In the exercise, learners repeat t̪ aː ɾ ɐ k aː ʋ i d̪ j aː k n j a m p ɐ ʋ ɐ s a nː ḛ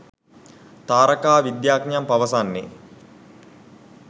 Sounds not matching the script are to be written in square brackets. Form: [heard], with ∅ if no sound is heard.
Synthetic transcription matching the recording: t̪ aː ɾ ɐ k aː ʋ i d̪ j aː k n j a m p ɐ ʋ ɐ s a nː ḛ